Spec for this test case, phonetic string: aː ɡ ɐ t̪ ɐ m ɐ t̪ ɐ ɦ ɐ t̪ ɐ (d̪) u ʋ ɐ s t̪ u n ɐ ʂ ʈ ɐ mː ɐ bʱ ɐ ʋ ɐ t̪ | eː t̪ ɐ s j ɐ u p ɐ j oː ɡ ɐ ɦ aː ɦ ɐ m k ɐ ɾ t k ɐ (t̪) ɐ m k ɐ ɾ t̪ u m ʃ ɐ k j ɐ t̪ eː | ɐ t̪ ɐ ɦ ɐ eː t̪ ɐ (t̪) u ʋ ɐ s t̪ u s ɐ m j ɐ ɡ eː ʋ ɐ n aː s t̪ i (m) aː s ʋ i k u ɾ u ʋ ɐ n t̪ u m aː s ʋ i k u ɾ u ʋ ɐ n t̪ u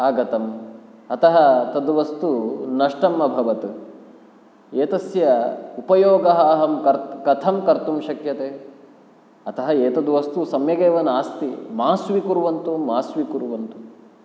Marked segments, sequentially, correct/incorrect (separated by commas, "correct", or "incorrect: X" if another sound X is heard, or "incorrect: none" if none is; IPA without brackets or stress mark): correct, incorrect: t̪ʰ, incorrect: d̪, correct